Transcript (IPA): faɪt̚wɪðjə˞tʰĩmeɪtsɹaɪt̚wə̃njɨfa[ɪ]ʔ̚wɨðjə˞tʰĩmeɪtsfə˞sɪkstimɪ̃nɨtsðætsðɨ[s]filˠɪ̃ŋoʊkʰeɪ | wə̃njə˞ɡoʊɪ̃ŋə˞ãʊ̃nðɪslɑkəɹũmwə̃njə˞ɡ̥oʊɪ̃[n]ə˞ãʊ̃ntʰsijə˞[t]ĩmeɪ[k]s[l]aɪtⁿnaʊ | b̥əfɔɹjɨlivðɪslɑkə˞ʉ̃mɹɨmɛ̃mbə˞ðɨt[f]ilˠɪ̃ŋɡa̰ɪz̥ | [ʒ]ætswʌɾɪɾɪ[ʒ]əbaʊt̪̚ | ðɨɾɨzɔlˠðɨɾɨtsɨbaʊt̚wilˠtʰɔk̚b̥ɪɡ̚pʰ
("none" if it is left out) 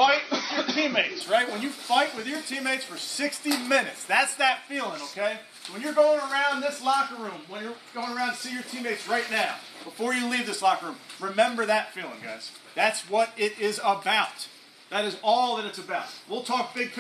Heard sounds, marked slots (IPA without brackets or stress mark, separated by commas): ɪ, t, ŋ, tʰ, t, ɹ, f, ð, z